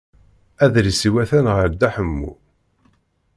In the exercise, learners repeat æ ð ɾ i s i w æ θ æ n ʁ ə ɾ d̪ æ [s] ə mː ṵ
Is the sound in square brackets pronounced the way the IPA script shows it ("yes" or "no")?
no